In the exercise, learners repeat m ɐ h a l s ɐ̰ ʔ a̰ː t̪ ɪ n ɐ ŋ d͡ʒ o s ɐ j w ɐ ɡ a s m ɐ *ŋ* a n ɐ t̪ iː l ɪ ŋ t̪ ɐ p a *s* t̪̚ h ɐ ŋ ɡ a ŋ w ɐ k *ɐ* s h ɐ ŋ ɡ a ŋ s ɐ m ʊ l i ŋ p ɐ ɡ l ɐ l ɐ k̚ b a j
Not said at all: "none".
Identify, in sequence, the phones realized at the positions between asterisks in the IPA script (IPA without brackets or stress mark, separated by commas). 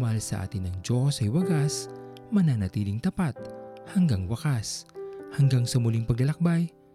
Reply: n, none, a